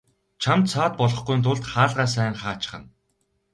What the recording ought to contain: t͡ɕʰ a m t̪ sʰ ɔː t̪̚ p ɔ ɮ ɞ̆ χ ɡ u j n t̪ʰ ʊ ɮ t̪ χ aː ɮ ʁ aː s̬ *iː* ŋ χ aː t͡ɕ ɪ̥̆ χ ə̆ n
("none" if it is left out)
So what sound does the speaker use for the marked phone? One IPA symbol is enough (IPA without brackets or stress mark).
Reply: æː